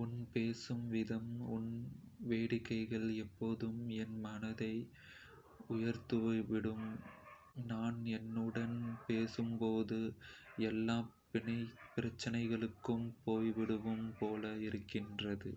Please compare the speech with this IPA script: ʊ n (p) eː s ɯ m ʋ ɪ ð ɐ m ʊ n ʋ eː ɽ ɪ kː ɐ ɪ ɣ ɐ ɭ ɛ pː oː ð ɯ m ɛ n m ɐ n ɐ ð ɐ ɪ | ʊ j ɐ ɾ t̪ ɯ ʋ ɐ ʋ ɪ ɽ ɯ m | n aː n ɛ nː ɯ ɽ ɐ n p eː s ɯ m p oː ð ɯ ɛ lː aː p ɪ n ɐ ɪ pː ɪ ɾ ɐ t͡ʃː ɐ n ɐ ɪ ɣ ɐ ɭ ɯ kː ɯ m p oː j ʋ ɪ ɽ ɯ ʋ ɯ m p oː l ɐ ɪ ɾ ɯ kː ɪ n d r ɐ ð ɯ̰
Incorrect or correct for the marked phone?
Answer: correct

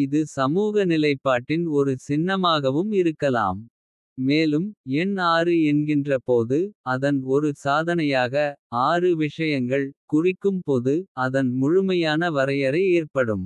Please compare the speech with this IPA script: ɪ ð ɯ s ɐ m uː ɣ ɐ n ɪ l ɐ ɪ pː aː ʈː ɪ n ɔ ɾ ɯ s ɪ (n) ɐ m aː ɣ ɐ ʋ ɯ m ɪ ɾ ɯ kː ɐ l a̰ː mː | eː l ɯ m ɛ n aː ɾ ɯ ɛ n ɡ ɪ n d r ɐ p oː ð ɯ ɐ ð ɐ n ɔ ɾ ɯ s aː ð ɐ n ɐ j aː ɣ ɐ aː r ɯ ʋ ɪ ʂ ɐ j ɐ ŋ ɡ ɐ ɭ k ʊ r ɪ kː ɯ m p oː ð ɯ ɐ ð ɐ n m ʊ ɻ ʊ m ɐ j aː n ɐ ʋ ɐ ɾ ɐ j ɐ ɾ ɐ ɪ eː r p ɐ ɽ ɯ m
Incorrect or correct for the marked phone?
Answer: incorrect: nː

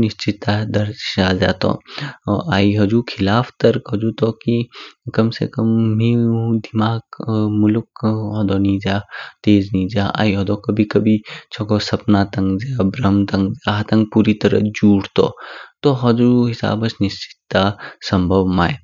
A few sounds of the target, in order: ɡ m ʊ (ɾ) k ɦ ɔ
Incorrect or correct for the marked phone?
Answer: incorrect: l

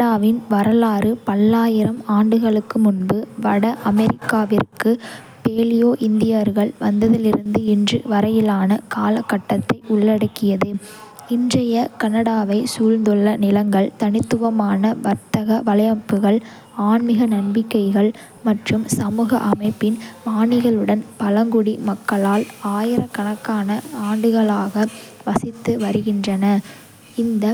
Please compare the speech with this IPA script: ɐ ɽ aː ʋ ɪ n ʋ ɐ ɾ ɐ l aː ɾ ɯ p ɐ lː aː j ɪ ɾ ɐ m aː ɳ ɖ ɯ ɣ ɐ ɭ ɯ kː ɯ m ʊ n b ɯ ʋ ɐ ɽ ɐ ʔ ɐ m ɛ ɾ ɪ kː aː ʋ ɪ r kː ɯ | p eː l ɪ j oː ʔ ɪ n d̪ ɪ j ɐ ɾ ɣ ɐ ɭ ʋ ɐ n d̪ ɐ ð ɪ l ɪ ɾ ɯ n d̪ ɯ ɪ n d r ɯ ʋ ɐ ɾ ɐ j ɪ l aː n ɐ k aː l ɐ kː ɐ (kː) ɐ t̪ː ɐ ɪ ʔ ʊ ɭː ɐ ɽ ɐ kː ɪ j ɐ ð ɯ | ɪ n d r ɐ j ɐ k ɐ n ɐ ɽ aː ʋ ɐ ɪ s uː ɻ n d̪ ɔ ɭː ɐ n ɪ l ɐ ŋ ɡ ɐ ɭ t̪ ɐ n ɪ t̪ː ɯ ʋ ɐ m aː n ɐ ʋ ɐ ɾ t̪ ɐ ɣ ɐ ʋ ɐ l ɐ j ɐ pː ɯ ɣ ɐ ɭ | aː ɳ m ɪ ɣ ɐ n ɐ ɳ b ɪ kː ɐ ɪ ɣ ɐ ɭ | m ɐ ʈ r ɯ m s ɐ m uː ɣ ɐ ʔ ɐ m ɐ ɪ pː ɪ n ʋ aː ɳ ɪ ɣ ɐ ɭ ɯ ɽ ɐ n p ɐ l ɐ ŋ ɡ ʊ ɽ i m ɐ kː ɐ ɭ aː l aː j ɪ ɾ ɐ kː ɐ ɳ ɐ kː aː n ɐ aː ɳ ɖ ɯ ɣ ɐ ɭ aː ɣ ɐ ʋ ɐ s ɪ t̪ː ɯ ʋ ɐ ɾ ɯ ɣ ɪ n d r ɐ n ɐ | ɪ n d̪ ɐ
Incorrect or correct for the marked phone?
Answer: incorrect: ʈː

